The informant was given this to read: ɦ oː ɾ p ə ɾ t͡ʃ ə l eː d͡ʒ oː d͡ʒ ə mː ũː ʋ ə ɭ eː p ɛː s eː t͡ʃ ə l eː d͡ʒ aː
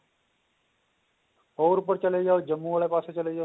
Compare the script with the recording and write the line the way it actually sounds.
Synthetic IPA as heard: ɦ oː ɾ p ə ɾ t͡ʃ ə l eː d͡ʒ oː d͡ʒ ə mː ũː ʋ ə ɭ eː p aː s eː t͡ʃ ə l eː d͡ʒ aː